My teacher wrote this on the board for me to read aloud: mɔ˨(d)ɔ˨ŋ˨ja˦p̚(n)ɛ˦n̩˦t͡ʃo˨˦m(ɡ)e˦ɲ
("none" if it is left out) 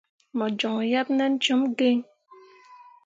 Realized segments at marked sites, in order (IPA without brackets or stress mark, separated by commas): d͡ʒ, n, ɡ